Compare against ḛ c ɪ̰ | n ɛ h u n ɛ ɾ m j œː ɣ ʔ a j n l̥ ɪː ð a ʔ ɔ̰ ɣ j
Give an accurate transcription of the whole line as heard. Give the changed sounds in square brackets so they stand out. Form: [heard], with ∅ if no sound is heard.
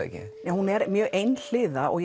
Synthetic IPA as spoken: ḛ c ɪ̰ | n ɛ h u n ɛ ɾ m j œː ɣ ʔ [e] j n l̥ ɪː ð a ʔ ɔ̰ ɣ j

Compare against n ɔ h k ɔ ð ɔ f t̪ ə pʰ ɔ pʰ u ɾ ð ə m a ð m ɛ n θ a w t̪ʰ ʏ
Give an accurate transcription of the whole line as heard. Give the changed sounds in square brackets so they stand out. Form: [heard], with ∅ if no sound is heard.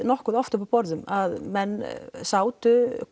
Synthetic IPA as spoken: n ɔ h k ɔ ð ɔ f t̪ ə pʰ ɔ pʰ [ɔ] ɾ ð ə m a ð m ɛ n [s] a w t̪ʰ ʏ

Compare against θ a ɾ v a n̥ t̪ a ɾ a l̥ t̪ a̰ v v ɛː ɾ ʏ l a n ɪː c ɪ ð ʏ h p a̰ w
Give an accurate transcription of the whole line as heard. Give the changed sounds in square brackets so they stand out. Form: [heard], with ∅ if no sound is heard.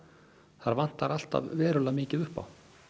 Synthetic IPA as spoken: θ a ɾ v a n̥ t̪ a ɾ a l̥ t̪ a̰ v v ɛː ɾ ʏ l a [m] ɪː c ɪ ð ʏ h p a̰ w

